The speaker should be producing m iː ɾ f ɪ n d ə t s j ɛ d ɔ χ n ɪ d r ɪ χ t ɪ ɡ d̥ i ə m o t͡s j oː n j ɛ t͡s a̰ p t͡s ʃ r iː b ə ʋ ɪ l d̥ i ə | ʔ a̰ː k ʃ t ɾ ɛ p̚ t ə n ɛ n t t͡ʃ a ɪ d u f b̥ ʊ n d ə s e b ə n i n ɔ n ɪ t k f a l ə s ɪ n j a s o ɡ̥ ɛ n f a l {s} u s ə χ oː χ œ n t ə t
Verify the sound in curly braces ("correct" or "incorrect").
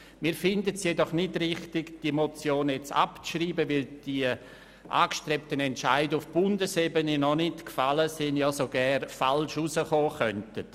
incorrect